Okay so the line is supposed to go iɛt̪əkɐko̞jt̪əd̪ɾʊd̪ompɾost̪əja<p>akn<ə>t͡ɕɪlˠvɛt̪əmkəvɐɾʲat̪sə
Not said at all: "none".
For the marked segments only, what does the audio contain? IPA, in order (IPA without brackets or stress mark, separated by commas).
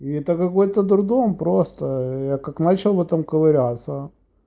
k, a